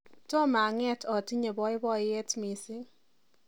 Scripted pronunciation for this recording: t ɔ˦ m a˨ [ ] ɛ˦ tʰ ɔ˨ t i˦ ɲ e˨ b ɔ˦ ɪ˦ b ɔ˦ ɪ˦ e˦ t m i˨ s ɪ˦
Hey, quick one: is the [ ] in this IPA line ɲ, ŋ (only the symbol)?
ŋ